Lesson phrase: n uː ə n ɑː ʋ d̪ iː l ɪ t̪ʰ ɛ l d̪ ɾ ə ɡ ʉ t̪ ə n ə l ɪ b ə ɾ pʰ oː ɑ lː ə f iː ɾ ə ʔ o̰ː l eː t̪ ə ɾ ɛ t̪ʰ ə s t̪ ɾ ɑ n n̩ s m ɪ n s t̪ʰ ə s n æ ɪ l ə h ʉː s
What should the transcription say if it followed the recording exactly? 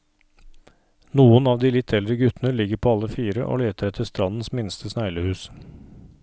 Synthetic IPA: n uː ə n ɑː ʋ d̪ iː l ɪ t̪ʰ ɛ l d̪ ɾ ə ɡ ʉ t̪ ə n ə l ɪ ɡ ə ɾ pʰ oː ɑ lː ə f iː ɾ ə ʔ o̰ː l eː t̪ ə ɾ ɛ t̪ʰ ə s t̪ ɾ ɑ n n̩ s m ɪ n s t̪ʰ ə s n æ ɪ l ə h ʉː s